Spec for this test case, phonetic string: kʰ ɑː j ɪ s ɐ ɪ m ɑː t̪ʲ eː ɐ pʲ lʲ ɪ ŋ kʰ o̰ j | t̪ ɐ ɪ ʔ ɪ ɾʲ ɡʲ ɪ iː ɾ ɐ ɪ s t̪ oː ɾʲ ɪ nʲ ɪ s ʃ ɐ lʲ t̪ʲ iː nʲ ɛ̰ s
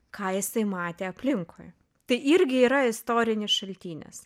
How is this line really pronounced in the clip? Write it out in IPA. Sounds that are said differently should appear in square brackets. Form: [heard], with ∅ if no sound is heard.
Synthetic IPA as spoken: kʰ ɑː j ɪ s ɐ ɪ m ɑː t̪ʲ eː ɐ pʲ lʲ ɪ ŋ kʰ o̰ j | t̪ ɐ ɪ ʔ ɪ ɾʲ ɡʲ ɪ iː ɾ ɐ ɪ s t̪ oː ɾʲ ɪ nʲ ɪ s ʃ ɐ lʲ t̪ʲ iː nʲ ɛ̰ s